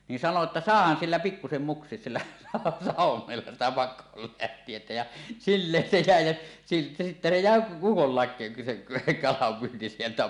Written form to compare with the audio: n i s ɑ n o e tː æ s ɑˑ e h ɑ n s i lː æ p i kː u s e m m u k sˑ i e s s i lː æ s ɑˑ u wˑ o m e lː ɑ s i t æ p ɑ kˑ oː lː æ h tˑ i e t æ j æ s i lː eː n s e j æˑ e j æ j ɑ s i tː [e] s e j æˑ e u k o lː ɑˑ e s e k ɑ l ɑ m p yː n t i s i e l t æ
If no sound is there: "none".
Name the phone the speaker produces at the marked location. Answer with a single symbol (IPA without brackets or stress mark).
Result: æ